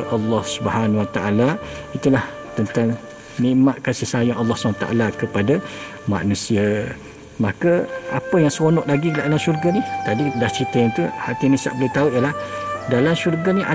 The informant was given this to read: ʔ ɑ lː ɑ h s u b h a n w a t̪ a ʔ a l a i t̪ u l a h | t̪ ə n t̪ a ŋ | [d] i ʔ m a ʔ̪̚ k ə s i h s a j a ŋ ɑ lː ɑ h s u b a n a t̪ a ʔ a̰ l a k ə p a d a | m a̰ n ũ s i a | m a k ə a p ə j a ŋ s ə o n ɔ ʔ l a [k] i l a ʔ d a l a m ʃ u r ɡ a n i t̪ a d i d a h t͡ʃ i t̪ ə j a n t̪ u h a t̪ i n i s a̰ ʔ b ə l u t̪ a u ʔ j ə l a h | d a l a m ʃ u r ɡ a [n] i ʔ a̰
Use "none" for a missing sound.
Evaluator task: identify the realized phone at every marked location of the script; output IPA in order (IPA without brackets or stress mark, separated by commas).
n, ɡ, n